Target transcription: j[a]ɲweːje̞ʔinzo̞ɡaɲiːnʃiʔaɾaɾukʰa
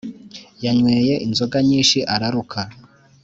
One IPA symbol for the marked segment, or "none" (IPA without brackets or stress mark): a